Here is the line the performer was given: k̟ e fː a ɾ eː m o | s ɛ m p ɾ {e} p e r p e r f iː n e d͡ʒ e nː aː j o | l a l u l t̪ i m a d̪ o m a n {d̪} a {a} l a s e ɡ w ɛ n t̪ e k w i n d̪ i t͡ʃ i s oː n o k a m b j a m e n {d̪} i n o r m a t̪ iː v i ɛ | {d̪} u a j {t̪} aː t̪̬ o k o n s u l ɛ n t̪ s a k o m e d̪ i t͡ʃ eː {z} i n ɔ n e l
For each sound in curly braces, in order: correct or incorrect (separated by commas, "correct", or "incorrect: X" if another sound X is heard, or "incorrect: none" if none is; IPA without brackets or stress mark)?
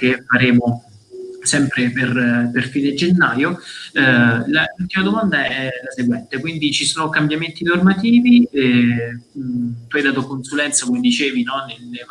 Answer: correct, correct, incorrect: ɛ, incorrect: t̪, incorrect: t̪, incorrect: d̪, incorrect: v